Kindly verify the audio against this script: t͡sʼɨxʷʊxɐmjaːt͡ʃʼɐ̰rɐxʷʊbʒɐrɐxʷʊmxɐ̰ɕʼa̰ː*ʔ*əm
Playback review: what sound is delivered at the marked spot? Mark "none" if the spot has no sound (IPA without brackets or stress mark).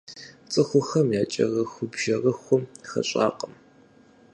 q